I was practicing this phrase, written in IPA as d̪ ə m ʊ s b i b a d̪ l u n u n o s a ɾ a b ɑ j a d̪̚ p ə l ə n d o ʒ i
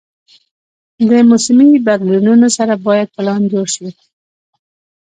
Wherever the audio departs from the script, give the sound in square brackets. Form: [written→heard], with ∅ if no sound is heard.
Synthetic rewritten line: d̪ ə m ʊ s [b→m] i b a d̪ l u n u n o s a ɾ a b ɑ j a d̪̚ p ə l [ə→ɑ] n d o [ʒ→ʃ] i